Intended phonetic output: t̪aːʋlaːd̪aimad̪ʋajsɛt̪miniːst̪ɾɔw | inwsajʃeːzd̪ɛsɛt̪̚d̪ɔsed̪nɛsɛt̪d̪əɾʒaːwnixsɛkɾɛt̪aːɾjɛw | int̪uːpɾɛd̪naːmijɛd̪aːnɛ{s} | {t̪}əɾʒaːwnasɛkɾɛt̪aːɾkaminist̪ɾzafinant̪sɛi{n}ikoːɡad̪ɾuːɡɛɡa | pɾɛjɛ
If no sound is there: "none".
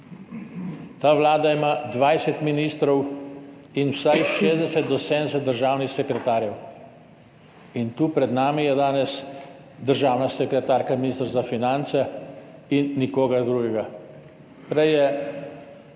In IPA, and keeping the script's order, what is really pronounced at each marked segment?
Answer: s, d̪, nː

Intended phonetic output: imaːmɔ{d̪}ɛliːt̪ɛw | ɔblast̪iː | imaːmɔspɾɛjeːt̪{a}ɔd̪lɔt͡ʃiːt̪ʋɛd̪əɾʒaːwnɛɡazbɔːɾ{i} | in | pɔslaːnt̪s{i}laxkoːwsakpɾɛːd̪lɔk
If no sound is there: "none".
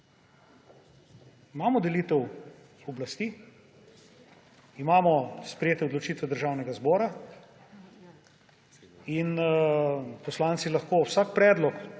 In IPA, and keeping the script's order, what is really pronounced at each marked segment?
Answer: d̪, ɛ, a, i

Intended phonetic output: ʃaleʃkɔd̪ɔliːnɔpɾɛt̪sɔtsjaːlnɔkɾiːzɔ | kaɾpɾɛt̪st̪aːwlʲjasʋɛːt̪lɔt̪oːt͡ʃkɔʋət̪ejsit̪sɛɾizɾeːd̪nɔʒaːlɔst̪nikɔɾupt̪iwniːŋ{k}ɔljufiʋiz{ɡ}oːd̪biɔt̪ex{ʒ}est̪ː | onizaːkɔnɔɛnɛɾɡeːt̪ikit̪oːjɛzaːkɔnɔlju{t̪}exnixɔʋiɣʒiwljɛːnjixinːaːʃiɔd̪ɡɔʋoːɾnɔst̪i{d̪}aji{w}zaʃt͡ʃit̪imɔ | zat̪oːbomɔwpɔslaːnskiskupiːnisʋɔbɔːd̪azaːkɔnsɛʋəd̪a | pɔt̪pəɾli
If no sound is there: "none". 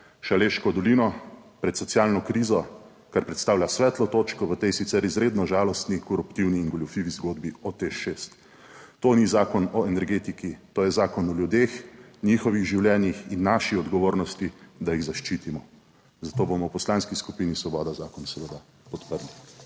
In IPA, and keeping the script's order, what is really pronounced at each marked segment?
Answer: ɡ, ɡ, ʃ, d̪, d̪, ɣ

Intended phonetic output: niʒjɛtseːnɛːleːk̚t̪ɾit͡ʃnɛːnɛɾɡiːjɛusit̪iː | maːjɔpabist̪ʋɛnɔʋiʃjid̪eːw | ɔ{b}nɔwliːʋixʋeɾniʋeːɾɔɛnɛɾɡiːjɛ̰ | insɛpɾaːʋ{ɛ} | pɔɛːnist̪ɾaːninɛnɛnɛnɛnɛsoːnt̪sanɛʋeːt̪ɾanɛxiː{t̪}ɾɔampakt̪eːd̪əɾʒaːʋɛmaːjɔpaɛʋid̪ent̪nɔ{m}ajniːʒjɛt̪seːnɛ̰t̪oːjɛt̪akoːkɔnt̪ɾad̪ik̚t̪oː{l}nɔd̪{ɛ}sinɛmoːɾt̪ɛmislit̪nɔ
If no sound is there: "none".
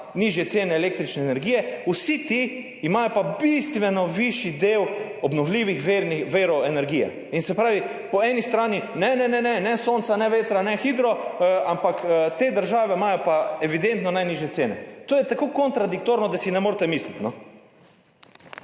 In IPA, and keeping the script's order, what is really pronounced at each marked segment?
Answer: b, i, d̪, n, ɾ, a

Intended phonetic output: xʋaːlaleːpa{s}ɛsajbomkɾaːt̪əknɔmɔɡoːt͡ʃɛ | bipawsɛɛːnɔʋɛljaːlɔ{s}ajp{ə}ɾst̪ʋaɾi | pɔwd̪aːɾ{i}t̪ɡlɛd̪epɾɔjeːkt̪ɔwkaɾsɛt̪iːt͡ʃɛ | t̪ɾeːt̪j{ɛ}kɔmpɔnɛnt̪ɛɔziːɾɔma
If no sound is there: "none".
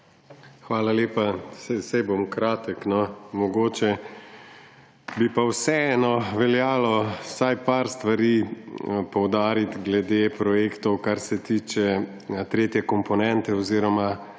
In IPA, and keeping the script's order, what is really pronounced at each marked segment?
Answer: s, s, a, i, ɛ

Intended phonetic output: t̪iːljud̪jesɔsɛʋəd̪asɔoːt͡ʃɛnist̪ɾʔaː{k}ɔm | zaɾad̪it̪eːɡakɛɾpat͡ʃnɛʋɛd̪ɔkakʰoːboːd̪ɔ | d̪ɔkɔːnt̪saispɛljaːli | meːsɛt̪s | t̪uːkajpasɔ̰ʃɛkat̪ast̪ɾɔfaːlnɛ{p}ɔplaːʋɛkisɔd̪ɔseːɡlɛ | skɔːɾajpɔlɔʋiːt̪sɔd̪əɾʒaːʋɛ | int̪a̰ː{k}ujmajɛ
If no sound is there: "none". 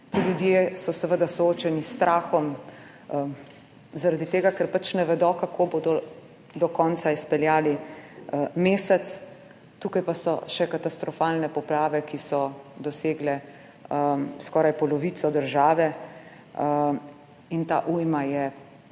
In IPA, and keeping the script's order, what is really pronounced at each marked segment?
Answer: x, p, ʔ

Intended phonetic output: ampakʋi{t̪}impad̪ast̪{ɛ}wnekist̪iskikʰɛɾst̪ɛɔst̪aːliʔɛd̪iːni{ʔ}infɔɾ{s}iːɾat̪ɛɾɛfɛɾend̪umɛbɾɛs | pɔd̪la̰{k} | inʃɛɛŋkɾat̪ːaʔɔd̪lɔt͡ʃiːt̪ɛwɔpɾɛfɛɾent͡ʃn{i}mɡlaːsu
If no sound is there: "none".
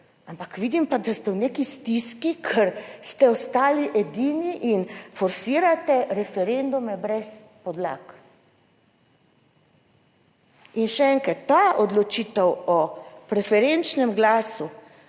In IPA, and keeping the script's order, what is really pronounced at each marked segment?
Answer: d̪, ɛ, ʔ, s, k, ɛ

